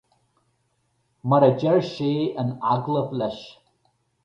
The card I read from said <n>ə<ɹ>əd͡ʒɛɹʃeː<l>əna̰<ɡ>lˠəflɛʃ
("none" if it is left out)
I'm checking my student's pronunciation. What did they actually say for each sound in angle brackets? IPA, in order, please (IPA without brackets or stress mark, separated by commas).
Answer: m, ɾ, none, ɡ